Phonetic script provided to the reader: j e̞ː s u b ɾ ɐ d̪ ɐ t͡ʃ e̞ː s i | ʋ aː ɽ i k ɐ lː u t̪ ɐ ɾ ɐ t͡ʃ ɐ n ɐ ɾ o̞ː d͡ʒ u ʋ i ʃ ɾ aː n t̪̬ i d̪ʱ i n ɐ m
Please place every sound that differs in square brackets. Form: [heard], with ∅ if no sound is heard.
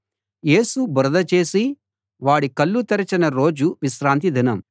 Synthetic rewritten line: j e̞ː s u b ɾ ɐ d̪ ɐ t͡ʃ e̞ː s i | ʋ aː ɽ i k ɐ lː u t̪ ɐ ɾ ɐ t͡ʃ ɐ n ɐ ɾ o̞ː d͡ʒ u ʋ i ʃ ɾ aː n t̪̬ i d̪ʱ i n ɐ m

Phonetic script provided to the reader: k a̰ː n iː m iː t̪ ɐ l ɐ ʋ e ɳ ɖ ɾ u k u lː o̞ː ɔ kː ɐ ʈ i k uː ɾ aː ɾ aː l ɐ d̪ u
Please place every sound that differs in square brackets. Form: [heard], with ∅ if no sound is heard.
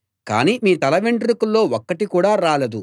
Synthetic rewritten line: k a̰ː n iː m iː t̪ ɐ l ɐ ʋ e ɳ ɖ ɾ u k u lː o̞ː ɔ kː ɐ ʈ i k uː [ɽ] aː ɾ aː l ɐ d̪ u

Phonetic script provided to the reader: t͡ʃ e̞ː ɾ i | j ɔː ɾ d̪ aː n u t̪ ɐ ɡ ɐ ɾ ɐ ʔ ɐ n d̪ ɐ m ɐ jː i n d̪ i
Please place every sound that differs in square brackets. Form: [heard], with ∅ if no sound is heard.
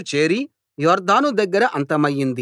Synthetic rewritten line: t͡ʃ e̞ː ɾ i | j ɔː ɾ d̪ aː n u [d̪] ɐ [ɡː] ɐ ɾ ɐ ʔ ɐ n [t̪] ɐ m ɐ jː i n d̪ i

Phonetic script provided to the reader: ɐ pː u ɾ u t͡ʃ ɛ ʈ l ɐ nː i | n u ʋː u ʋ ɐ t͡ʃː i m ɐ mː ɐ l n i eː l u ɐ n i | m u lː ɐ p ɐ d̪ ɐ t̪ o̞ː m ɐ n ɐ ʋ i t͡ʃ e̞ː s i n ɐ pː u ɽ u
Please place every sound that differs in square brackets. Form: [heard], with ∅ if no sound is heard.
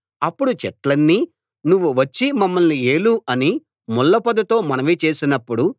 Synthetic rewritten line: ɐ pː u [ɽ] u t͡ʃ ɛ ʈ l ɐ nː i | n u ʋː u ʋ ɐ t͡ʃː i m ɐ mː ɐ l n i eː l u ɐ n i | m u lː ɐ p ɐ d̪ ɐ t̪ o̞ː m ɐ n ɐ ʋ i t͡ʃ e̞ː s i n ɐ pː u ɽ u

